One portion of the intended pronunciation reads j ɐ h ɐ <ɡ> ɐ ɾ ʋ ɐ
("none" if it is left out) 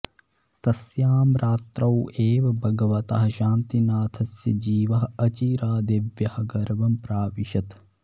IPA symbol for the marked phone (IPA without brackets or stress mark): ɡ